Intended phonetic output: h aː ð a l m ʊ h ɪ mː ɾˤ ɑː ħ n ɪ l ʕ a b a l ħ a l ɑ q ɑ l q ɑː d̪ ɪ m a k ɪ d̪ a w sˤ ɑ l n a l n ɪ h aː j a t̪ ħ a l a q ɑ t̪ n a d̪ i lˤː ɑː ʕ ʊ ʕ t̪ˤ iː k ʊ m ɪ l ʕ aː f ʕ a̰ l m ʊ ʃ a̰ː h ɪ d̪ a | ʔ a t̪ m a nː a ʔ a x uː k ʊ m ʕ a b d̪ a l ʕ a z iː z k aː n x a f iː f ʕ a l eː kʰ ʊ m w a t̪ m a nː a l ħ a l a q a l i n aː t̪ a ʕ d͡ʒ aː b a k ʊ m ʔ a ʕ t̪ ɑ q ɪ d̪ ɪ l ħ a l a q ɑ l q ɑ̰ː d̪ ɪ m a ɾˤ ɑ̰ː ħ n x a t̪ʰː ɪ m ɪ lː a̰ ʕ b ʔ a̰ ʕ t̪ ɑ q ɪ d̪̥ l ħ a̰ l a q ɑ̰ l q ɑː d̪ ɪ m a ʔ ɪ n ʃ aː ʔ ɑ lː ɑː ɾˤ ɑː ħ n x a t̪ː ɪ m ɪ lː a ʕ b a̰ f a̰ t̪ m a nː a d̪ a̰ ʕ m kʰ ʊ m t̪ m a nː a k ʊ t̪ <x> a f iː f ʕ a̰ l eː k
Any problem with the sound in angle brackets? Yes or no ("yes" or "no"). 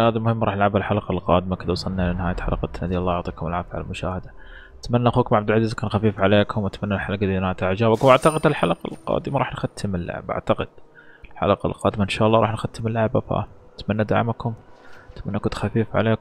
no